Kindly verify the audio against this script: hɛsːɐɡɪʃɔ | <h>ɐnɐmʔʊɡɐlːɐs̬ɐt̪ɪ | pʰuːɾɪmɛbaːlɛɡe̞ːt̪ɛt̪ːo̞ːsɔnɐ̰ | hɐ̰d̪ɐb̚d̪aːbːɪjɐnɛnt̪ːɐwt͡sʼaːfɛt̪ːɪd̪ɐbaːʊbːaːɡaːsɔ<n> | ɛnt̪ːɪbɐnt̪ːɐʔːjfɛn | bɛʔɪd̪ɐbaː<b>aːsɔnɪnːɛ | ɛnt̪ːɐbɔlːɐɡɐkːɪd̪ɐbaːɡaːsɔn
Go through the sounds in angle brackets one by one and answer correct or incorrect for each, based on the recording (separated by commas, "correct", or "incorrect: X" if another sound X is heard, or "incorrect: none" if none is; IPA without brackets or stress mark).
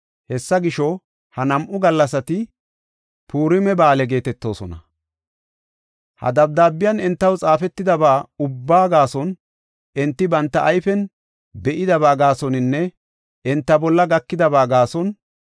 correct, correct, incorrect: ɡ